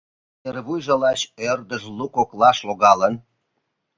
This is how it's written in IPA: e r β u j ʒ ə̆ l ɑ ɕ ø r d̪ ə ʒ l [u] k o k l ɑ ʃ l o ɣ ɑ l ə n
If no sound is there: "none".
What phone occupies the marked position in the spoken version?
u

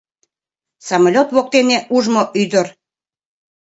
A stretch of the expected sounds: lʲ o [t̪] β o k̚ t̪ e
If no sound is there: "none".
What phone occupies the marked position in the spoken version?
t̪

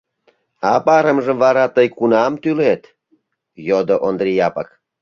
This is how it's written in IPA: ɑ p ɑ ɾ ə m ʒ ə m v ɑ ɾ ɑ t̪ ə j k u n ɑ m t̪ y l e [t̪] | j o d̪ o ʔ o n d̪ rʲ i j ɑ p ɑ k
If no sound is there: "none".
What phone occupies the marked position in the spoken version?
t̪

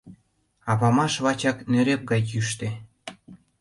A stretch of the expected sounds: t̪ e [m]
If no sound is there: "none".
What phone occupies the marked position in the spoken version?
none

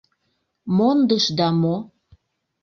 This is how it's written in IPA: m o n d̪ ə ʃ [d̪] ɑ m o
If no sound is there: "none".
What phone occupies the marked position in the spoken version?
d̪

